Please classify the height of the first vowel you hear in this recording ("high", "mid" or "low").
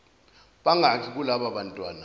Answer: low